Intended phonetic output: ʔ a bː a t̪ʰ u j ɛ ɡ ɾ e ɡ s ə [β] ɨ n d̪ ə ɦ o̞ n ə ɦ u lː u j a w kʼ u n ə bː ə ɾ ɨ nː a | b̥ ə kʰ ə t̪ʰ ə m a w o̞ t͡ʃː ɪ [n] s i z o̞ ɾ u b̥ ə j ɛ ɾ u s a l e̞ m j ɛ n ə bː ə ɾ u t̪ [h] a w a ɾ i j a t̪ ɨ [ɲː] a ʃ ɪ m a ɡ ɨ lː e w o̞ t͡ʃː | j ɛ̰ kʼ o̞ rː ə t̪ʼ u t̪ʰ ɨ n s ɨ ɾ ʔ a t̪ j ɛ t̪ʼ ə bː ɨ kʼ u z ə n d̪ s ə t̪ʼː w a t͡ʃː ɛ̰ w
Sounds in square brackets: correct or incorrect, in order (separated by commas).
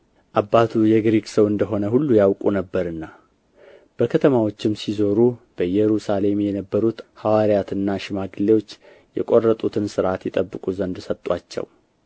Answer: incorrect, incorrect, correct, incorrect